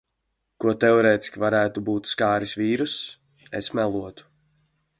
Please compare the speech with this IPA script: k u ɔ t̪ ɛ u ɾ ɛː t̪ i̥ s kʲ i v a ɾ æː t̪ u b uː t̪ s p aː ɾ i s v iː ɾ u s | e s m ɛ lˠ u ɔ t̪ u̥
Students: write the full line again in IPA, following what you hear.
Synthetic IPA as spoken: k u ɔ t̪ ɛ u ɾ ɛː t̪ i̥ s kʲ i v a ɾ æː t̪ u b uː t̪ s k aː ɾ i s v iː ɾ u s | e s m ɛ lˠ u ɔ t̪ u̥